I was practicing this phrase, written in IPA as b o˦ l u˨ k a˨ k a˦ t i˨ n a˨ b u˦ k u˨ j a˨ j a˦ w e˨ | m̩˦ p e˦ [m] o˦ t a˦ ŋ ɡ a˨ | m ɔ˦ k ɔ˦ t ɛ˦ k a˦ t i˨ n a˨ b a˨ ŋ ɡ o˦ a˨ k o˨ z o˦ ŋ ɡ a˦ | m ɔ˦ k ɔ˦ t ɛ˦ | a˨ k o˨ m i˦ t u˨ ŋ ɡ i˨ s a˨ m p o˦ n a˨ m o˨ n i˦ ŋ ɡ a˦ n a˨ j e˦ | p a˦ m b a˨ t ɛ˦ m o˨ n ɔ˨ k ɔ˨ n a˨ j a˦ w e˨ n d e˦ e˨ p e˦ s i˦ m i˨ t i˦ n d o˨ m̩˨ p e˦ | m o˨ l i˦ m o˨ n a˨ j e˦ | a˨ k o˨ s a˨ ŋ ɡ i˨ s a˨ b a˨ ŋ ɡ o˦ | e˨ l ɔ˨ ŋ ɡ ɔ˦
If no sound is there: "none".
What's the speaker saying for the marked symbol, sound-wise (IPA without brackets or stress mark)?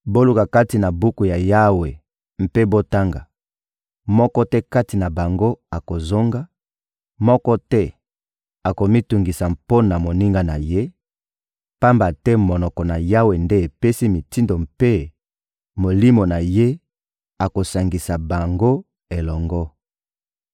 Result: b